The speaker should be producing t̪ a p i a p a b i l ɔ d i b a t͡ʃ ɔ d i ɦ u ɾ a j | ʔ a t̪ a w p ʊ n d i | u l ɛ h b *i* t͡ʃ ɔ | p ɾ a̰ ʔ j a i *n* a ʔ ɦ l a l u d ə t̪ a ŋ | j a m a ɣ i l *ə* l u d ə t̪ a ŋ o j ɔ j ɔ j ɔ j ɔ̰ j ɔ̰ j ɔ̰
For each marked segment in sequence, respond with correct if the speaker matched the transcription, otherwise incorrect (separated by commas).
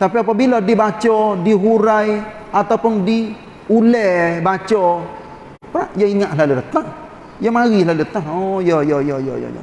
incorrect, incorrect, incorrect